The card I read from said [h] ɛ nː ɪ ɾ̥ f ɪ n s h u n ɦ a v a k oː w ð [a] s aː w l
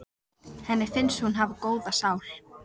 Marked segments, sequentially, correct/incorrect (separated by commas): correct, correct